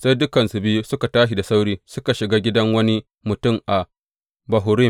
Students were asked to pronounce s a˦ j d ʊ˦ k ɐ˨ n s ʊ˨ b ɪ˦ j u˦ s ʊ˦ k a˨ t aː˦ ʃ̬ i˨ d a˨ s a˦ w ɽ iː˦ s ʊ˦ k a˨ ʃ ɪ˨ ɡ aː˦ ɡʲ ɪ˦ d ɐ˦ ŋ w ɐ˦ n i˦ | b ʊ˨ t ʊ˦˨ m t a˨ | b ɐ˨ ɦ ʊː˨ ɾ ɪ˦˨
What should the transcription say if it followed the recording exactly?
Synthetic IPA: s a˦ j d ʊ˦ k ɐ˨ n s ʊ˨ b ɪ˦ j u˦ s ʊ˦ k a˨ t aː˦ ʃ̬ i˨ d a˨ s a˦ w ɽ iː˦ s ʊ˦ k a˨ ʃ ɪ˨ ɡ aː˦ ɡʲ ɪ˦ d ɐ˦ ŋ w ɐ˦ n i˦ | m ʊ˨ t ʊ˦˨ m ʔ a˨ | b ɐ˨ ɦ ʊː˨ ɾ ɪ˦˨